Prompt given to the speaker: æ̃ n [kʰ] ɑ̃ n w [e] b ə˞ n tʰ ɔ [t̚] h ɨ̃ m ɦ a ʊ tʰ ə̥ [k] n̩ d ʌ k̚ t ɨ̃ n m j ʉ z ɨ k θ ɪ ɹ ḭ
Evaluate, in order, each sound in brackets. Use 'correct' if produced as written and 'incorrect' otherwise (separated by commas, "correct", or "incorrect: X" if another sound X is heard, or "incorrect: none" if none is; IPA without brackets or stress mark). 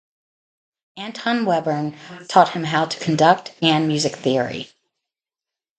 incorrect: tʰ, incorrect: ɛ, correct, incorrect: kʰ